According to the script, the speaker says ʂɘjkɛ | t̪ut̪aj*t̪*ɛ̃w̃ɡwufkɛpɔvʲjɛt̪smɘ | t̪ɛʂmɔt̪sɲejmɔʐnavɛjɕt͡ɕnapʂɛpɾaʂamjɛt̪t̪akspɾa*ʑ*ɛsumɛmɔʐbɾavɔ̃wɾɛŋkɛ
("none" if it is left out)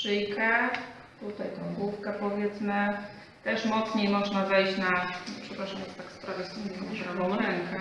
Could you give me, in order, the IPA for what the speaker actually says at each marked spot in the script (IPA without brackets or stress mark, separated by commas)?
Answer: t̪, v